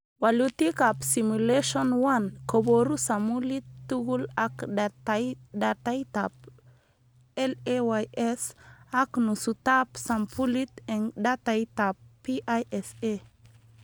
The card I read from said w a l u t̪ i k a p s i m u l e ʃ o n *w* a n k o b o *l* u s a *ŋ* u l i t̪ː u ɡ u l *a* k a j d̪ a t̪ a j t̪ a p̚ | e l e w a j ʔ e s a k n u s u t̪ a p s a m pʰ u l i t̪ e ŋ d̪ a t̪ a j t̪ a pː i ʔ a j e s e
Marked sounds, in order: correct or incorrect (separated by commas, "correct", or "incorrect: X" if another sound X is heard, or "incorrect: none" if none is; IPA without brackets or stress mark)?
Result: correct, incorrect: ɾ, incorrect: m, correct